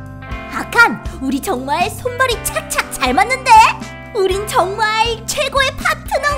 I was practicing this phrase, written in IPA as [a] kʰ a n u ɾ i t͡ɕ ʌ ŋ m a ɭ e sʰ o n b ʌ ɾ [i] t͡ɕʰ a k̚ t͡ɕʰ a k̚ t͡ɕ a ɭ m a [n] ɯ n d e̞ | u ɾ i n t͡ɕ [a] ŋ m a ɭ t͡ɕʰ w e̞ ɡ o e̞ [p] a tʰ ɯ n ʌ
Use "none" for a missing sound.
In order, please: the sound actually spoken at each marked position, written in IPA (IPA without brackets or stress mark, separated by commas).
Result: a, i, nː, ʌ, pʰ